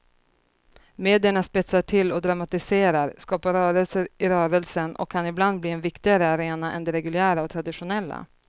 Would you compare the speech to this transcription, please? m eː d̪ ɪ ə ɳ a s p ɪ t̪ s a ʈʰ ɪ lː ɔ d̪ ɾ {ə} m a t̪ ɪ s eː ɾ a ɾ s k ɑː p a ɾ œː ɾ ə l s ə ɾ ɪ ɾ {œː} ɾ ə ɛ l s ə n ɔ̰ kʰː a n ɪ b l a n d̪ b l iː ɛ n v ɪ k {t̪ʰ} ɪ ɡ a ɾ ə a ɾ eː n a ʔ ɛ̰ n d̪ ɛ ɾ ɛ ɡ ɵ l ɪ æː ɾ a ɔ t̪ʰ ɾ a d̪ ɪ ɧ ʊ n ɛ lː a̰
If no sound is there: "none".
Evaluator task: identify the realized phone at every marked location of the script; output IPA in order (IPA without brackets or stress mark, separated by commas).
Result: a, œː, t̪